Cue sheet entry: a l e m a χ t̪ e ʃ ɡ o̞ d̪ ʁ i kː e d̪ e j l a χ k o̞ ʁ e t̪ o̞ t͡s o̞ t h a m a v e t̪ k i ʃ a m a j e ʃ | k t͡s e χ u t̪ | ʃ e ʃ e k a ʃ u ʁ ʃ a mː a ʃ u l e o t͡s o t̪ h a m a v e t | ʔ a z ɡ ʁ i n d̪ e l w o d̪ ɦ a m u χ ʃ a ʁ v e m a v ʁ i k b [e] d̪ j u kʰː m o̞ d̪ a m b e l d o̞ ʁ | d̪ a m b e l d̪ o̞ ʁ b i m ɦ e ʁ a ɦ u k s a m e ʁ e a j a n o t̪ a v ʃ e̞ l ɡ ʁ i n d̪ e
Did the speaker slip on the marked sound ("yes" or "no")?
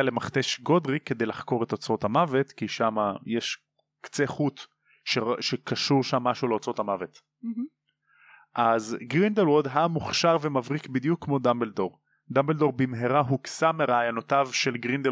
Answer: yes